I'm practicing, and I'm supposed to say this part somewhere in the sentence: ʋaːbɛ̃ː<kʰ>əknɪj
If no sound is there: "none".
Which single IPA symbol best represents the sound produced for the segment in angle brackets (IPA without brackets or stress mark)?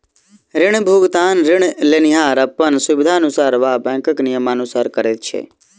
k